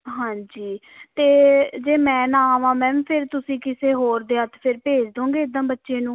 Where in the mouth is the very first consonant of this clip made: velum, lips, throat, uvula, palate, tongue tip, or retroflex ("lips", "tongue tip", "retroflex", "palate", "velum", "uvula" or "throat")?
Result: throat